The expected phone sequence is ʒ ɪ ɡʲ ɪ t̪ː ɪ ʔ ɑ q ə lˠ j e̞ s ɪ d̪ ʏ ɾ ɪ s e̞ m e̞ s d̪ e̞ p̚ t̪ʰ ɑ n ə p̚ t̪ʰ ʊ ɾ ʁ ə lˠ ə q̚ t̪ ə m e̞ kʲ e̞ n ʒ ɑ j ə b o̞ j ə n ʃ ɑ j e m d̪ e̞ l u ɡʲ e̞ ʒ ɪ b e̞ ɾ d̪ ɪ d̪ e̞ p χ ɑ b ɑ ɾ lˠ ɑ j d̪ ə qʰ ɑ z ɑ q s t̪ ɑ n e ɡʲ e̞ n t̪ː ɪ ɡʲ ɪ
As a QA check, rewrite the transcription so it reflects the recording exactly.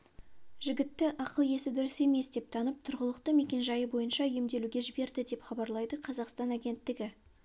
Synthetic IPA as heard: ʒ ɪ ɡʲ ɪ t̪ː ɪ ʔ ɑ q ə lˠ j e̞ s ɪ d̪ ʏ ɾ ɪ s e̞ m e̞ s d̪ e̞ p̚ t̪ʰ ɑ n ə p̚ t̪ʰ ʊ ɾ ʁ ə lˠ ə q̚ t̪ ə m e̞ kʲ e̞ n ʒ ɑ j ə b o̞ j ə n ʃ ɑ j e m d̪ e̞ l u ɡʲ e̞ ʒ ɪ b e̞ ɾ d̪ ɪ d̪ e̞ p χ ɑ b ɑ ɾ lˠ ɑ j d̪ ə qʰ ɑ z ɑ q s t̪ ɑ n æ ɡʲ e̞ n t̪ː ɪ ɡʲ ɪ

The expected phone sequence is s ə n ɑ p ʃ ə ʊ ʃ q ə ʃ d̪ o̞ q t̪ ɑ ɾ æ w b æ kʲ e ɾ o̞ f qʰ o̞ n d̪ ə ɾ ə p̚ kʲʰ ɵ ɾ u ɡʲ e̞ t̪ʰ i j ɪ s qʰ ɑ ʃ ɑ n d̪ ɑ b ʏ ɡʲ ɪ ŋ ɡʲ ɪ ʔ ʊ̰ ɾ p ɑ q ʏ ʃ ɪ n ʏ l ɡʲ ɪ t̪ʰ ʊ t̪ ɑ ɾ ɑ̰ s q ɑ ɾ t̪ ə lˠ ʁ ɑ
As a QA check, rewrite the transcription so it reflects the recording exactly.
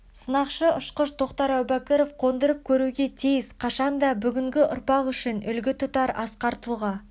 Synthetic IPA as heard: s ə n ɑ q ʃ ə ʊ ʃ q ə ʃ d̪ o̞ q t̪ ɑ ɾ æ w b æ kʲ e ɾ o̞ f qʰ o̞ n d̪ ə ɾ ə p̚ kʲʰ ɵ ɾ u ɡʲ e̞ t̪ʰ i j ɪ s qʰ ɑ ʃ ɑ n d̪ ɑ b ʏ ɡʲ ɪ ŋ ɡʲ ɪ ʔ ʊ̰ ɾ p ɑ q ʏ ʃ ɪ n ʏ l ɡʲ ɪ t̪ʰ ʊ t̪ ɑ ɾ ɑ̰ s q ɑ ɾ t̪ ə lˠ ʁ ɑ

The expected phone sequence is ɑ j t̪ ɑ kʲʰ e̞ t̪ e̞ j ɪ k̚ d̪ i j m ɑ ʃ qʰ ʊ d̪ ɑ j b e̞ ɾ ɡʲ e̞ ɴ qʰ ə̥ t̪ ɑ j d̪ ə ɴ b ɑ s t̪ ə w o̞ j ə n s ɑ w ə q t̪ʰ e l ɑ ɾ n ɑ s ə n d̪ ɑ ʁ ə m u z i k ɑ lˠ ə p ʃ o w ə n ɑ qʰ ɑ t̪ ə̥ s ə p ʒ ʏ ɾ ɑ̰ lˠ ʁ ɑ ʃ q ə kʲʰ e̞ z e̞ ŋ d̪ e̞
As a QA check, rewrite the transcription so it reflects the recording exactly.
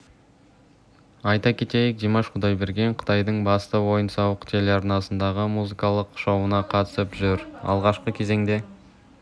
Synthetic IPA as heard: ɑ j t̪ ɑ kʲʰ e̞ t̪ e̞ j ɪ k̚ d̪ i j m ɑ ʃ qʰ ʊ d̪ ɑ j b e̞ ɾ ɡʲ e̞ ɴ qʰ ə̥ t̪ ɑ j d̪ ə ɴ b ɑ s t̪ ə w o̞ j ə n s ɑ w ə q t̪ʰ e l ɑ ɾ n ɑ s ə n d̪ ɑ ʁ ə m u z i k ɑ lˠ ə q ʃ o w ə n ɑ qʰ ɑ t̪ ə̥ s ə p ʒ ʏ ɾ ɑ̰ lˠ ʁ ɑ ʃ q ə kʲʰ e̞ z e̞ ŋ d̪ e̞

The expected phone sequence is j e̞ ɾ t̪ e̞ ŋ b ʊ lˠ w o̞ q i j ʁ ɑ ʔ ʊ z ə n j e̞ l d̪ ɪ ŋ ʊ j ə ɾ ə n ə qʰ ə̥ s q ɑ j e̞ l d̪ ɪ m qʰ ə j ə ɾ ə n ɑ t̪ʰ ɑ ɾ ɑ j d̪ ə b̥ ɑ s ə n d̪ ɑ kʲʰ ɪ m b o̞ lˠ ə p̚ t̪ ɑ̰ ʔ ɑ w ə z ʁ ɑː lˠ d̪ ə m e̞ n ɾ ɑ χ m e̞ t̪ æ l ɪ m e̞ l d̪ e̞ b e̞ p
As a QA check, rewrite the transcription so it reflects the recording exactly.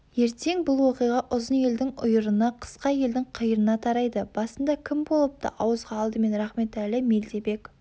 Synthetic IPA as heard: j e̞ ɾ t̪ e̞ ŋ b ʊ lˠ w o̞ q i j ʁ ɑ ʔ ʊ z ə n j e̞ l d̪ ɪ ŋ ʊ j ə ɾ ə n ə qʰ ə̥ s q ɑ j e̞ l d̪ ɪ ŋ qʰ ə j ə ɾ ə n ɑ t̪ʰ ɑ ɾ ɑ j d̪ ə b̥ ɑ s ə n d̪ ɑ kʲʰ ɪ m b o̞ lˠ ə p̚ t̪ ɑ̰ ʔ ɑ w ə z ʁ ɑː lˠ d̪ ə m e̞ n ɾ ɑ χ m e̞ t̪ æ l ɪ m e̞ l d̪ e̞ b e̞ k

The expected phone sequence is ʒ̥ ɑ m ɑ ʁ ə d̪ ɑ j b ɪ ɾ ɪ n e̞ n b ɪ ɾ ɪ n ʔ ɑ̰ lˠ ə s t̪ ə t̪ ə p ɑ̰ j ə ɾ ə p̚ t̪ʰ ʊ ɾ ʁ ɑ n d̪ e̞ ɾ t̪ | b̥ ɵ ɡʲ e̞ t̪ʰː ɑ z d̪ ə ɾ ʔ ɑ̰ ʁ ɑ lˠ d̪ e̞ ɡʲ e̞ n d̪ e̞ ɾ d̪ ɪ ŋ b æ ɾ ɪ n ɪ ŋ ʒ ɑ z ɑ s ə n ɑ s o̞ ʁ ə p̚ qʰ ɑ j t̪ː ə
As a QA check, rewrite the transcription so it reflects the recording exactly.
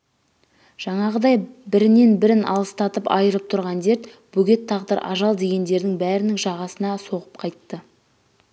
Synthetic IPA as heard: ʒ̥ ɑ ɴ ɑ ʁ ə d̪ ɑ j b ɪ ɾ ɪ n e̞ n b ɪ ɾ ɪ n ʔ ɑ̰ lˠ ə s t̪ ɑ t̪ ə p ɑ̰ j ə ɾ ə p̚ t̪ʰ ʊ ɾ ʁ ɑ n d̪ e̞ ɾ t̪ | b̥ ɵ ɡʲ e̞ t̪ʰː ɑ ʁ d̪ ə ɾ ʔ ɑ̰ ʒ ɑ lˠ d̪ e̞ ɡʲ e̞ n d̪ e̞ ɾ d̪ ɪ ŋ b æ ɾ ɪ n ɪ ŋ ʒ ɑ ʁ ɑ s ə n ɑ s o̞ ʁ ə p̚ qʰ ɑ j t̪ː ə

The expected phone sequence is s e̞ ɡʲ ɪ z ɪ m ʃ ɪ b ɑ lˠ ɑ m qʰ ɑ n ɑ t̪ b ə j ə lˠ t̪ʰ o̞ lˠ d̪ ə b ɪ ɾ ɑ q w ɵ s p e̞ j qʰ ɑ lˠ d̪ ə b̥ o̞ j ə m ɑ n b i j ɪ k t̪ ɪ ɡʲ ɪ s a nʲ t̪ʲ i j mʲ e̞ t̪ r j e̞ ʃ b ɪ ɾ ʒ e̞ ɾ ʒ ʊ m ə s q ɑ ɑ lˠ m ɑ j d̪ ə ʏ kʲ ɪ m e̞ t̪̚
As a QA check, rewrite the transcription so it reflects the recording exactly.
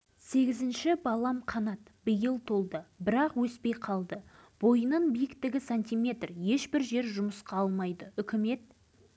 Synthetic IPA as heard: s e̞ ɡʲ ɪ z ɪ n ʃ ɪ b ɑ lˠ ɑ m qʰ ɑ n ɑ t̪ b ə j ə lˠ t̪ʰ o̞ lˠ d̪ ə b ɪ ɾ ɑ q w ɵ s p e̞ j qʰ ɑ lˠ d̪ ə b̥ o̞ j ə n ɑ n b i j ɪ k t̪ ɪ ɡʲ ɪ s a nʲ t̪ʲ i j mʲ e̞ t̪ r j e̞ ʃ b ɪ ɾ ʒ e̞ ɾ ʒ ʊ m ə s q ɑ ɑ lˠ m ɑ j d̪ ə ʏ kʲ ɪ m e̞ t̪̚

